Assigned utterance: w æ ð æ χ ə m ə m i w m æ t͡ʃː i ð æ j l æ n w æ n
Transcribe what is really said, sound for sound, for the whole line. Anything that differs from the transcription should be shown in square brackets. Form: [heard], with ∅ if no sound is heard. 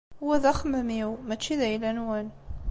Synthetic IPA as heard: w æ ð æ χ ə m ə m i w m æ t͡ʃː i ð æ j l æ n w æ n